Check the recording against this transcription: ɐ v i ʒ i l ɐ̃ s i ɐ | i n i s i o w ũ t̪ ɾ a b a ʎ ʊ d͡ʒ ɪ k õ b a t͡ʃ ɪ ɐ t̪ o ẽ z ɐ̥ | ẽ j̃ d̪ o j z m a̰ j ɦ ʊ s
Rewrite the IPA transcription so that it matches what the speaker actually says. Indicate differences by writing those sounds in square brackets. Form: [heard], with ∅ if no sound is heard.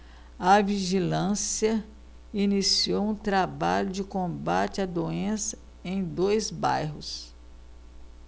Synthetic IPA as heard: ɐ v i ʒ i l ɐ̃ s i ɐ | i n i s i o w ũ t̪ ɾ a b a ʎ ʊ d͡ʒ ɪ k õ b a t͡ʃ ɪ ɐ [d̪] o ẽ [s] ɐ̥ | ẽ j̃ d̪ o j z [b] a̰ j ɦ ʊ s